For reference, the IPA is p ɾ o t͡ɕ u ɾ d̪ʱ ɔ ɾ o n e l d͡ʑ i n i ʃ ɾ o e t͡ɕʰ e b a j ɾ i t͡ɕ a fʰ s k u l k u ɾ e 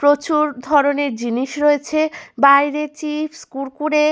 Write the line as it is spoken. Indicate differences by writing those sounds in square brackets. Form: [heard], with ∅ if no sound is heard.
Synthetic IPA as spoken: p ɾ o t͡ɕ u ɾ d̪ʱ ɔ ɾ o n e [ɾ] d͡ʑ i n i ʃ ɾ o e t͡ɕʰ e b a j ɾ [e] t͡ɕ [i] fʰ s k u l k u ɾ e